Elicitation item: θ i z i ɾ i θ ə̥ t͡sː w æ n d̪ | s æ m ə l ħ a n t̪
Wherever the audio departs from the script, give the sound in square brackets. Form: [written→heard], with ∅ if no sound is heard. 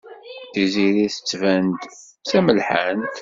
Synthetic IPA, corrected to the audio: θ i z i ɾ i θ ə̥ t͡sː [w→v] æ n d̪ | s æ m ə l ħ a n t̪